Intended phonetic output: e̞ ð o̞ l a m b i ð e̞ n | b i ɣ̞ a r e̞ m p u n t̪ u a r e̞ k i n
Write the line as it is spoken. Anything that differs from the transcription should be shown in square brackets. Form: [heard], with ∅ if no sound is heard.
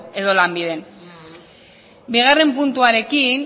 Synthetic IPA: e̞ ð o̞ l a m b i ð e̞ n | b i ɣ̞ a r e̞ m p u n t̪ u a [ɾ] e̞ k i n